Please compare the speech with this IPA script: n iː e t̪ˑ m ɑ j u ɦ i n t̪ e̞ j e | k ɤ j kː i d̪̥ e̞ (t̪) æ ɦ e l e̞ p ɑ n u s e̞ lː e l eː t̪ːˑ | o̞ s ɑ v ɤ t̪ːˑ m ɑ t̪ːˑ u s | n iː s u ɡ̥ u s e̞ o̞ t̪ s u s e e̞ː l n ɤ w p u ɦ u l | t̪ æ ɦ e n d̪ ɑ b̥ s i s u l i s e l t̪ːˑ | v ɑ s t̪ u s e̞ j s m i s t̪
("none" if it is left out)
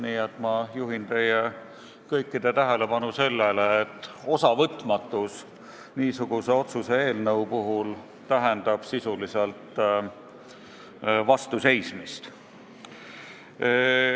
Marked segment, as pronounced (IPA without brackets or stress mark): t̪